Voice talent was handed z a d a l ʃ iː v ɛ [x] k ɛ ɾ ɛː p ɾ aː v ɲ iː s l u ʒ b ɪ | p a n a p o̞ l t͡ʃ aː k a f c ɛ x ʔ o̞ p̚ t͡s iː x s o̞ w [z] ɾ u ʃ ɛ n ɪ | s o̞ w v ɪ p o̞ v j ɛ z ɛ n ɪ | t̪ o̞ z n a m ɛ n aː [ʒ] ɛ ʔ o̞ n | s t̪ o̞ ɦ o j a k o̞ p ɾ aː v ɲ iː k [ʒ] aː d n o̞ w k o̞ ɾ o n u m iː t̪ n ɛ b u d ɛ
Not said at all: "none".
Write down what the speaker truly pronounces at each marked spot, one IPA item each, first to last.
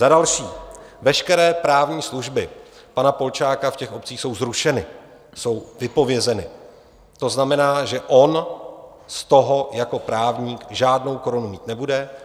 ʃ, z, ʒ, ʒ

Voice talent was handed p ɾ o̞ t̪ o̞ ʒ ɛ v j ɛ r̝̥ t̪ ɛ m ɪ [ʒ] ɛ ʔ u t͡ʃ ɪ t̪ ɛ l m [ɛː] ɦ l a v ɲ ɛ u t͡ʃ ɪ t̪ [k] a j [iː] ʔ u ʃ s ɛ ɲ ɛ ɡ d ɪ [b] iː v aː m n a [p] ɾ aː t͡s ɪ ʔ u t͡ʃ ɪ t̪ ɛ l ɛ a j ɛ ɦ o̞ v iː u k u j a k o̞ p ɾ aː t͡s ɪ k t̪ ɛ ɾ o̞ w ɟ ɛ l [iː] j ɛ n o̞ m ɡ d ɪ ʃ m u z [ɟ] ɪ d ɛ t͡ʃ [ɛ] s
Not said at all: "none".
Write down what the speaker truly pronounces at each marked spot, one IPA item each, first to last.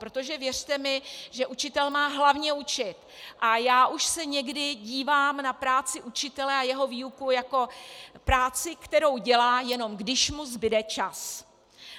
ʒ, aː, ʔ, aː, ɟ, p, aː, b, a

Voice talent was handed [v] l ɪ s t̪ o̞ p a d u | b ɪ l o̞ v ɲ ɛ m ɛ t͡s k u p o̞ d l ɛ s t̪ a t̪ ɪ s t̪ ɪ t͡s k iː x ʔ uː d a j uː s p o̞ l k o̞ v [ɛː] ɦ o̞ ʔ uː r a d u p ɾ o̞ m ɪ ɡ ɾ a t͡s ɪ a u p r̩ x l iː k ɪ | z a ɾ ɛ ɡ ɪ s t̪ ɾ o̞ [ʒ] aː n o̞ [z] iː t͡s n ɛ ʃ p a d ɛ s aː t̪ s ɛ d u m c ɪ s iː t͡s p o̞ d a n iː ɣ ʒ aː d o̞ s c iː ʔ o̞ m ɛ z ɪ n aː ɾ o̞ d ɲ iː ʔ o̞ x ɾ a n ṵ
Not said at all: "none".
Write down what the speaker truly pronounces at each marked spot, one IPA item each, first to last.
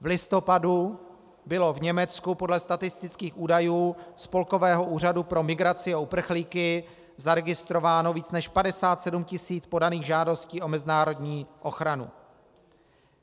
v, ɛː, v, v

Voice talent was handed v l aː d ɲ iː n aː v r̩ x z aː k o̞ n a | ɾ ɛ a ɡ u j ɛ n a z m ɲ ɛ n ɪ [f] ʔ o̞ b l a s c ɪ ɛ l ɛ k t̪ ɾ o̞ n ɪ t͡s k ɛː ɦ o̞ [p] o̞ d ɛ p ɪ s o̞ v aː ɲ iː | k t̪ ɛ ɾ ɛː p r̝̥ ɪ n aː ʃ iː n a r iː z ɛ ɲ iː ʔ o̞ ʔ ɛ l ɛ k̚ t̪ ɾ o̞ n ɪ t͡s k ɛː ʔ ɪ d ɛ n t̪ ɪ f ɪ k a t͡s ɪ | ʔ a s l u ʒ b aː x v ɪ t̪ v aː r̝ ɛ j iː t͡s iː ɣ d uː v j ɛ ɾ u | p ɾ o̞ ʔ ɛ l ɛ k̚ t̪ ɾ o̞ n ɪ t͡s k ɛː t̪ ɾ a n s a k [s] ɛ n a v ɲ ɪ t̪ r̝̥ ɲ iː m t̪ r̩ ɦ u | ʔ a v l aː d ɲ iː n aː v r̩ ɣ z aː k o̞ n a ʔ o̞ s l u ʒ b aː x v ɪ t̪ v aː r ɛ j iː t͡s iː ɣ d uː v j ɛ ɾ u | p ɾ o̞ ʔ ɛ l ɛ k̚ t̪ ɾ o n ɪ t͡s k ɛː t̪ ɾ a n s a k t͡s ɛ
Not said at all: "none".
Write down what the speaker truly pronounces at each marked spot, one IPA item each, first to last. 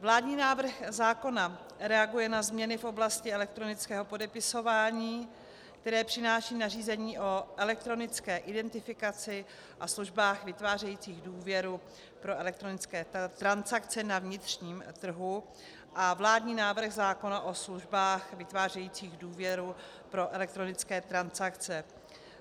f, p, t͡s

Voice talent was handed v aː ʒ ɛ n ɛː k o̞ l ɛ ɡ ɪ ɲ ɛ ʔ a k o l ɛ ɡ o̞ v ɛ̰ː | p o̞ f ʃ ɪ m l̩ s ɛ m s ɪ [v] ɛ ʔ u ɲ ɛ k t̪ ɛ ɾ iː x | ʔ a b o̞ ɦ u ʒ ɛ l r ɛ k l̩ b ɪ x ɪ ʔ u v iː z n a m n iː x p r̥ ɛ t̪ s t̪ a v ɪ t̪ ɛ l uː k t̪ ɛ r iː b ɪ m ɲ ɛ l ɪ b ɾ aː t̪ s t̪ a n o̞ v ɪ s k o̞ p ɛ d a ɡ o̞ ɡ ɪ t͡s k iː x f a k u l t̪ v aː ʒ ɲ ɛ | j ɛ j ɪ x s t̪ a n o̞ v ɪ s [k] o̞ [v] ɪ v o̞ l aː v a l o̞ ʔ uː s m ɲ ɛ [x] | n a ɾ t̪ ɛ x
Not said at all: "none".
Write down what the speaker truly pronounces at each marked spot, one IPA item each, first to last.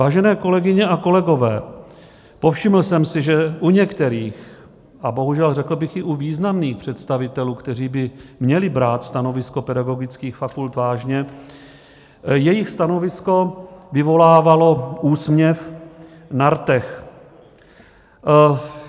ʒ, k, v, f

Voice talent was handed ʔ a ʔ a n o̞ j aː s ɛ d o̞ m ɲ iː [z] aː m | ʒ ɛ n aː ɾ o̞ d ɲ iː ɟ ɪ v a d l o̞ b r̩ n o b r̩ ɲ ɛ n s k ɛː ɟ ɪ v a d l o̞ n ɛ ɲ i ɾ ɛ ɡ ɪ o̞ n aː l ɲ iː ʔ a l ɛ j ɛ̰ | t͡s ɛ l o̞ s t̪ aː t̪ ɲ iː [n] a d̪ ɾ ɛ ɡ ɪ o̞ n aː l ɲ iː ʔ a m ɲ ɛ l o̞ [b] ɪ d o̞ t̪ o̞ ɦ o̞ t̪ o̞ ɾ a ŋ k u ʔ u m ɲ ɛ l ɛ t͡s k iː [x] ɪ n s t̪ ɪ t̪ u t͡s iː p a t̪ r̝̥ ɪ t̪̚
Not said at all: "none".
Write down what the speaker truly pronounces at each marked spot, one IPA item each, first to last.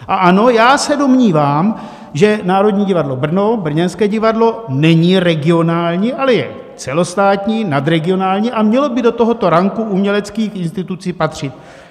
v, n, b, x

